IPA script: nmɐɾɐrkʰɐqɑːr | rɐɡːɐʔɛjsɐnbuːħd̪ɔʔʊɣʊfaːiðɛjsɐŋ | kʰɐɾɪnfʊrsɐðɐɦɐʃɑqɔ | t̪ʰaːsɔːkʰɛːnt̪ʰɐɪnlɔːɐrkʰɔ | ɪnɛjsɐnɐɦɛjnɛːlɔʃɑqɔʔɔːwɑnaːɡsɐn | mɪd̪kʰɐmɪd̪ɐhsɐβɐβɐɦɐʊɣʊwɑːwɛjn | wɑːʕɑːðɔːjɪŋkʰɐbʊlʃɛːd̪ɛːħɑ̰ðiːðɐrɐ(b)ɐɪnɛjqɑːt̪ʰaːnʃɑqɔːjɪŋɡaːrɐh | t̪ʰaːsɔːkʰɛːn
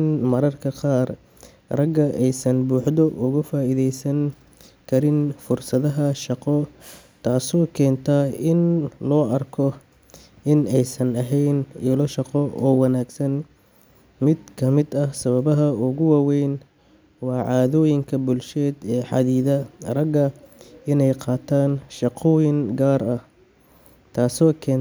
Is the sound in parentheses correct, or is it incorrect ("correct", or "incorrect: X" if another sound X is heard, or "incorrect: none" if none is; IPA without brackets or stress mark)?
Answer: incorrect: ɡ